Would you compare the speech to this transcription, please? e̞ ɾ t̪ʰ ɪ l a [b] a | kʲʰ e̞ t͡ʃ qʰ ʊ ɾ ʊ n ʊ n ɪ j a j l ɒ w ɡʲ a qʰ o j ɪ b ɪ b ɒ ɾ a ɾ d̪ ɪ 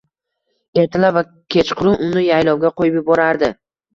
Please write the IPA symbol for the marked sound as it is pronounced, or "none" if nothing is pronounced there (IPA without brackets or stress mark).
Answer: v